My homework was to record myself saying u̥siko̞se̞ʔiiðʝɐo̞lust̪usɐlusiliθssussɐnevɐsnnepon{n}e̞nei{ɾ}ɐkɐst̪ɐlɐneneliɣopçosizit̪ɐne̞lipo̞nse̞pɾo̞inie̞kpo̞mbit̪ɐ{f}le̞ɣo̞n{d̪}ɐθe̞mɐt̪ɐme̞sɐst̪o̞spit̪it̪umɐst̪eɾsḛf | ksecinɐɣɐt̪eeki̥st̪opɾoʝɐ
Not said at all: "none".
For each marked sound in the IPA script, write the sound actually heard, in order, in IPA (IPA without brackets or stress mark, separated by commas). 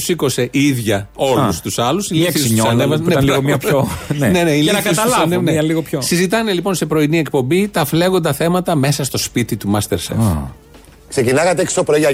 n, l, f, d̪